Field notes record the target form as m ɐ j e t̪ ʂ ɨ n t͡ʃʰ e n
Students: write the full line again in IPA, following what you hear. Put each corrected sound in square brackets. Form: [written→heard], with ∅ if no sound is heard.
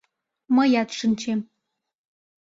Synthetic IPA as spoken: m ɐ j [e→a] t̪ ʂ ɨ n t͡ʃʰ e [n→m]